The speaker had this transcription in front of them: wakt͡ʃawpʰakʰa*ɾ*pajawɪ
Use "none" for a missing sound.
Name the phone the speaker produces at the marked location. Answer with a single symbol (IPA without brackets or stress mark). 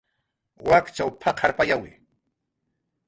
ɾ